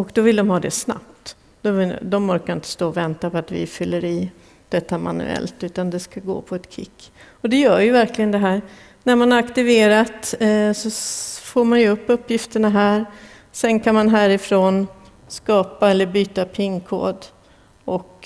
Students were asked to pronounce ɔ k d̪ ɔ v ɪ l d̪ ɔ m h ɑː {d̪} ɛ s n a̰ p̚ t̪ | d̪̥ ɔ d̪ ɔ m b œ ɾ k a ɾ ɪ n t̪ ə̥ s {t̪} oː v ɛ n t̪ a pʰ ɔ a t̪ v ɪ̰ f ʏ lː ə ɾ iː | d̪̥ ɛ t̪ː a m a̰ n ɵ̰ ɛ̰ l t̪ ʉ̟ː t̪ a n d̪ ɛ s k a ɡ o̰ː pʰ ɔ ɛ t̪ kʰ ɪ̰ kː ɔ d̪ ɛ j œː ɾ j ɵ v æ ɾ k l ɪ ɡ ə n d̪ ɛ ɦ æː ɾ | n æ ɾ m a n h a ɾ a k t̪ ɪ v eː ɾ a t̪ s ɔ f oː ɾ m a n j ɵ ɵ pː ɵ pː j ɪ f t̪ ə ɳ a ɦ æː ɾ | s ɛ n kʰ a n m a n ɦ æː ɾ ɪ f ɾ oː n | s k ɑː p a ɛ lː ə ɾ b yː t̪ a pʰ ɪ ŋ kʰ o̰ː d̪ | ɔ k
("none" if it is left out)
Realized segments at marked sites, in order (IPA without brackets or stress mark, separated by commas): d̪, t̪